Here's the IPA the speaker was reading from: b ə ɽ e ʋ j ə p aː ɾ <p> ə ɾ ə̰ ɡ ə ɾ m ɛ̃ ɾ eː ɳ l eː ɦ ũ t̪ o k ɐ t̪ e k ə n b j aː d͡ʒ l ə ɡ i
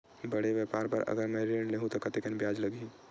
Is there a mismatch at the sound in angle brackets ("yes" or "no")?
no